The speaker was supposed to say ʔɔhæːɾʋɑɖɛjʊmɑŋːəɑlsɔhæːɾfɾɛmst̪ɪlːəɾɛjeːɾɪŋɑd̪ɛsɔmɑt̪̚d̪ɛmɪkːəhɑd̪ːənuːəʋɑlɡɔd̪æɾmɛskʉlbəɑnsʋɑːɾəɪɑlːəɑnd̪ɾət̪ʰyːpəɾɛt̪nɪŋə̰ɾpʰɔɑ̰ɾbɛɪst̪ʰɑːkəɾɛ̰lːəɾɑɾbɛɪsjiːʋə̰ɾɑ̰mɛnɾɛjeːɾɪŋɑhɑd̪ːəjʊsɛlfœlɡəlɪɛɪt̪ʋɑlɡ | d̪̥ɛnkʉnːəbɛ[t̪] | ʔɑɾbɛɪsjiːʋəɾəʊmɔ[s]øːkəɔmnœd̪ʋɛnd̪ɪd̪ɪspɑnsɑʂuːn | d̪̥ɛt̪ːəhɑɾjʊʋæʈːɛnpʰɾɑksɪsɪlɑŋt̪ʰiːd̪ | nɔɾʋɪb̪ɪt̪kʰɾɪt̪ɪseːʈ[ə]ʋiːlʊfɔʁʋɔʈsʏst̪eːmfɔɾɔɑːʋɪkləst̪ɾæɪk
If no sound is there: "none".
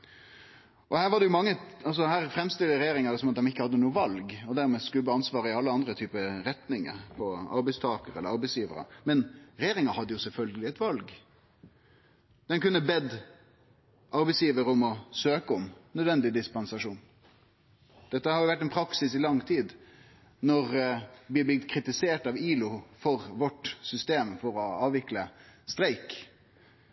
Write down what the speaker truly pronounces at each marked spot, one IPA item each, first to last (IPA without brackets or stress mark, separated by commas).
d̪, s, ɑ